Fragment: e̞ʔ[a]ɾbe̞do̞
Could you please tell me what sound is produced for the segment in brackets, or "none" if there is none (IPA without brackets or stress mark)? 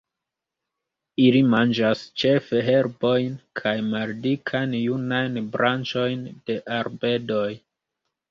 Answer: a